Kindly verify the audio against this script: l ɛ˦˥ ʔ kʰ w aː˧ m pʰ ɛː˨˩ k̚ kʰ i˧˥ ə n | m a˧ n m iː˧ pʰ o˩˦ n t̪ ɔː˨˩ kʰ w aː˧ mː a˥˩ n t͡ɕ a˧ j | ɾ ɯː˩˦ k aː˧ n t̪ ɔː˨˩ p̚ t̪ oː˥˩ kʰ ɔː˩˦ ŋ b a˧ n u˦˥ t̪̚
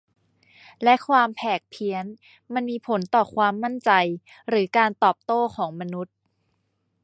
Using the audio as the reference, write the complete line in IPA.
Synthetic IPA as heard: l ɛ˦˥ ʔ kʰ w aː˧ m pʰ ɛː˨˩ k̚ pʰ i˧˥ ə n | m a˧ n m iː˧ pʰ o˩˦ n t̪ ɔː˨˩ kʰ w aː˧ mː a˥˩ n t͡ɕ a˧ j | ɾ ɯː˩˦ k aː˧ n t̪ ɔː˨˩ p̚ t̪ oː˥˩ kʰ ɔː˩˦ ŋ m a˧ n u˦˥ t̪̚